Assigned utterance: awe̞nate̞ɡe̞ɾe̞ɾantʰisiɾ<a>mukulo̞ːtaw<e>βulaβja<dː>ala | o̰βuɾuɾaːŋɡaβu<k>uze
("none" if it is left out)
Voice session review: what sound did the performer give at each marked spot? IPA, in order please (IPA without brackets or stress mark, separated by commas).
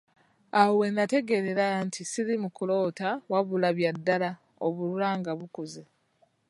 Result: i, a, dː, k